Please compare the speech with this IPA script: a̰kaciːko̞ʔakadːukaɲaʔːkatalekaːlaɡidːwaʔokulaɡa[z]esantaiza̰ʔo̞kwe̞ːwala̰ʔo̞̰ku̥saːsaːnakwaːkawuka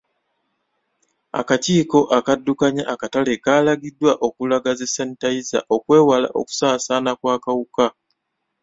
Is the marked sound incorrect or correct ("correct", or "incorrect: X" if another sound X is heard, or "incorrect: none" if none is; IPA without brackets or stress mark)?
correct